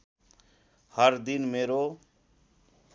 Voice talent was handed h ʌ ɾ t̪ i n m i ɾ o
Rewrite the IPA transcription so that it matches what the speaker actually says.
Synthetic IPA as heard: h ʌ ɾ d̪ i n m e ɾ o